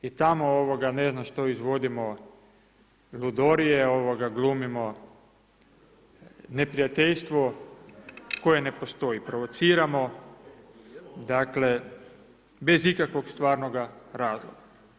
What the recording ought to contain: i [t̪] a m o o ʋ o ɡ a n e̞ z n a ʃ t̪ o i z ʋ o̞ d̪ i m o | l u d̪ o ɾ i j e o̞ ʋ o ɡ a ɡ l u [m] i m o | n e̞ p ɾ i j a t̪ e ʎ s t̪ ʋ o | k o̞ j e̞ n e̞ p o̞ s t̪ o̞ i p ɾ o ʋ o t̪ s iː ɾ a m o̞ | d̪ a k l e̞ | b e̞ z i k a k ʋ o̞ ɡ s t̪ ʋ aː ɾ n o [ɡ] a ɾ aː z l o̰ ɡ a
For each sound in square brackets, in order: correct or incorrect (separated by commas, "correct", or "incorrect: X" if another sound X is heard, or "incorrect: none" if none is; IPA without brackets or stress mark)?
correct, correct, correct